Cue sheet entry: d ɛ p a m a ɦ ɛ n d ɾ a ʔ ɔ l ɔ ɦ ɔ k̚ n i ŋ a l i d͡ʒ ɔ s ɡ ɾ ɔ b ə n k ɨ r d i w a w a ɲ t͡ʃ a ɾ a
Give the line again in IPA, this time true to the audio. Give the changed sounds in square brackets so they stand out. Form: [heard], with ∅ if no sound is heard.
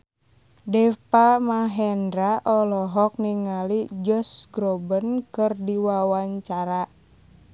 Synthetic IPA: d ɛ p a m a ɦ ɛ n d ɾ a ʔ ɔ l ɔ ɦ ɔ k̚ n i ŋ a l i d͡ʒ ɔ s ɡ ɾ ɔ b ə n k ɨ r d i w a w a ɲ t͡ʃ a ɾ a